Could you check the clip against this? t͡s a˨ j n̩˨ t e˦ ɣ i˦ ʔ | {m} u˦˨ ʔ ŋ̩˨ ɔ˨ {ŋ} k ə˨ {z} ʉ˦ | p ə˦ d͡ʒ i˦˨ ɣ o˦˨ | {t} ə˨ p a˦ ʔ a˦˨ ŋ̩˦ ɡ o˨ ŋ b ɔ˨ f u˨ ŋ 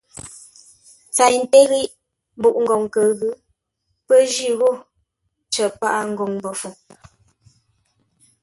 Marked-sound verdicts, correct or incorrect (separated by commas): incorrect, correct, incorrect, incorrect